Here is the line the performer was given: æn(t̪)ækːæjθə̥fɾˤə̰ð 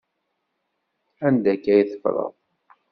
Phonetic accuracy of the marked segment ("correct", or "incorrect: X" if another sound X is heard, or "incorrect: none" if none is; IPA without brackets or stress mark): incorrect: d̪